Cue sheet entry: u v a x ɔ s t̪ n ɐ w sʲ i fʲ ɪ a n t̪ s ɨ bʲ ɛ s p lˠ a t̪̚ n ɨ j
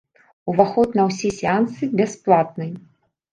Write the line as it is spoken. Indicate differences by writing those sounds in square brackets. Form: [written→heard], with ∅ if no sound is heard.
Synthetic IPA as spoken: u v a x ɔ [s→∅] t̪ n ɐ w sʲ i [fʲ→sʲ] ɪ a n t̪ s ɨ bʲ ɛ s p lˠ a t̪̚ n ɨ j